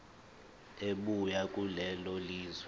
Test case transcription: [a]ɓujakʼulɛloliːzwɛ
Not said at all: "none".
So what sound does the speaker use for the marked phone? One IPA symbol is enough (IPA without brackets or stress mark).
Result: e